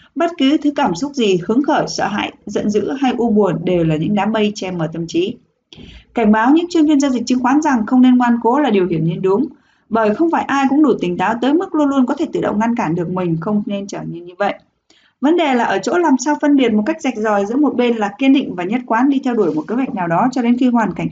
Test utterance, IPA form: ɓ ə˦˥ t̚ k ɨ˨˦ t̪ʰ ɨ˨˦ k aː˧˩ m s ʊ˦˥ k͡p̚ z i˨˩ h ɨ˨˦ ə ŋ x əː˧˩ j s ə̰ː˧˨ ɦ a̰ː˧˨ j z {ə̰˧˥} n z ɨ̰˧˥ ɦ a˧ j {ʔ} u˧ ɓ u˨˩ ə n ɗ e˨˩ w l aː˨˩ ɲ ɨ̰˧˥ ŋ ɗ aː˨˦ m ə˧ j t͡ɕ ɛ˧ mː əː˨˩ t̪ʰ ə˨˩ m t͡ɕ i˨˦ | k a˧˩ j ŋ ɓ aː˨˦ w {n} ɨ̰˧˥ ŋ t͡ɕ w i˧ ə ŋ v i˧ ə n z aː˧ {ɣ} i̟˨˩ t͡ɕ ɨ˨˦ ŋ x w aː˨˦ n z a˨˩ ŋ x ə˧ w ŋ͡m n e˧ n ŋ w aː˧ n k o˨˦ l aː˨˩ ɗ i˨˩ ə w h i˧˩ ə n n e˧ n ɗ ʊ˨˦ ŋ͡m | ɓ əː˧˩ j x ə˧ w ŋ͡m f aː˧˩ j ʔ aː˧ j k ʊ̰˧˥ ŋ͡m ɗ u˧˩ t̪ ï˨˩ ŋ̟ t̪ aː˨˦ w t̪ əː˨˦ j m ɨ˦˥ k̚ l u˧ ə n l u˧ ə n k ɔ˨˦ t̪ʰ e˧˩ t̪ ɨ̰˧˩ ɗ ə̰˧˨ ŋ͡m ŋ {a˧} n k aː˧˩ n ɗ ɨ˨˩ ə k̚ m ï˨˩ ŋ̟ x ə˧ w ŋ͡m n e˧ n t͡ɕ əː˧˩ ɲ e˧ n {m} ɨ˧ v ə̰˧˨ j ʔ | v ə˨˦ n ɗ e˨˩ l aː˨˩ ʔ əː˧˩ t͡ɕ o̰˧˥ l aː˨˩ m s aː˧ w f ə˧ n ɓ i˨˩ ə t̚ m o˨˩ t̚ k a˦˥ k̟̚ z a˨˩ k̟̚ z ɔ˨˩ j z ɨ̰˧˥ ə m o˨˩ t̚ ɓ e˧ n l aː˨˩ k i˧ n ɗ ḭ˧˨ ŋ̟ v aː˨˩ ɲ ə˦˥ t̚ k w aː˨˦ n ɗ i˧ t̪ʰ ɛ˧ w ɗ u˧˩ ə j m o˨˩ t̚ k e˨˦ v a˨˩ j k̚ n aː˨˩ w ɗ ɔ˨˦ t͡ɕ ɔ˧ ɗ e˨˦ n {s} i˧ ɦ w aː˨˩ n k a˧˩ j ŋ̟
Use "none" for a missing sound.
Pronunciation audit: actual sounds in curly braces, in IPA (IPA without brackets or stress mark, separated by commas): ə̰˧˨, ʔ, ɲ, z, a˧, ɲ, x